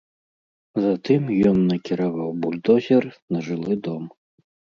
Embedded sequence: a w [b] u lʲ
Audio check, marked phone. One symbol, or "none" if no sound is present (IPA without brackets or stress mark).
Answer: b